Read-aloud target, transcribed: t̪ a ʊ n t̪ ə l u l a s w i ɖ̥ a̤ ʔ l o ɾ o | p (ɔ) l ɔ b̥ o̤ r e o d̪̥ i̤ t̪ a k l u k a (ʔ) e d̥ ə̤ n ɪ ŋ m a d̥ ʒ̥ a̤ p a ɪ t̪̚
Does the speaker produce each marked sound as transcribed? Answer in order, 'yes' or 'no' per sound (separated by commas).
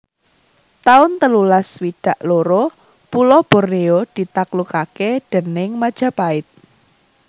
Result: no, no